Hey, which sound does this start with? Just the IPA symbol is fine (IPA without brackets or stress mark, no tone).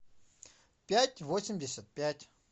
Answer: pʲ